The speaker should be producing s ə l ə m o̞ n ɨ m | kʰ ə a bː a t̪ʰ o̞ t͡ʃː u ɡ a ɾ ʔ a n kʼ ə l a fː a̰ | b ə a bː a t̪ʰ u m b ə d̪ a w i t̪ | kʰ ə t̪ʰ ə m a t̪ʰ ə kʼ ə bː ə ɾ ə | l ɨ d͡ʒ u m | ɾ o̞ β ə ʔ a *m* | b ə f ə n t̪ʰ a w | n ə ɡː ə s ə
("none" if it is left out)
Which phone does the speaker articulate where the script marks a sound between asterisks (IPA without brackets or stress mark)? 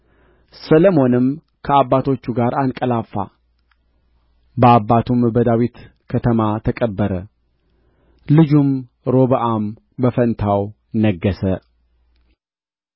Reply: m